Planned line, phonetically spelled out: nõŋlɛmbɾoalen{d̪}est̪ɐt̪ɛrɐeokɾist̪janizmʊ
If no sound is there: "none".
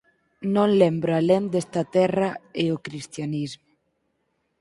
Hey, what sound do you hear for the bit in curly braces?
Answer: d̪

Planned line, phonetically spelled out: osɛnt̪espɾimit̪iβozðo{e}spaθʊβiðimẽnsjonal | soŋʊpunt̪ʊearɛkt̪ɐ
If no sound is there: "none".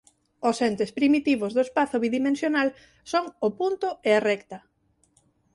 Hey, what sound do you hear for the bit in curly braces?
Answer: e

